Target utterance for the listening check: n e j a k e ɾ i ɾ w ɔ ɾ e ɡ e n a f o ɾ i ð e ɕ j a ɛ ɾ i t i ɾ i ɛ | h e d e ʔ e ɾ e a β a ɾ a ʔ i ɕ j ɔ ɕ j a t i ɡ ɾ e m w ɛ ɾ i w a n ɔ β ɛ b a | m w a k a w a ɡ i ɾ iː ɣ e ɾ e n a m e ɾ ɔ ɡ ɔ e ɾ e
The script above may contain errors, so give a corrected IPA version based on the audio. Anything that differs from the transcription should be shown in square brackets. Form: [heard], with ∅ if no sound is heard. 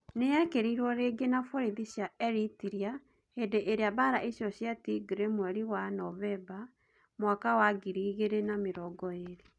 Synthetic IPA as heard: n e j a k e ɾ i ɾ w ɔ ɾ e ɡ e n a f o ɾ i ð [i] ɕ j a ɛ ɾ i t i ɾ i [a] | h e d e ʔ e ɾ e a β a ɾ a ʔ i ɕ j ɔ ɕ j a t i ɡ ɾ e m w ɛ ɾ i w a n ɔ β ɛ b a | m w a k a w a ɡ i ɾ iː ɣ e ɾ e n a m e ɾ ɔ ɡ ɔ e ɾ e